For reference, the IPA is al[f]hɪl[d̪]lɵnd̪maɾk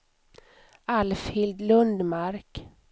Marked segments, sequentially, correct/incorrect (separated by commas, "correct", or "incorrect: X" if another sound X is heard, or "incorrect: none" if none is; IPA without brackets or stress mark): correct, correct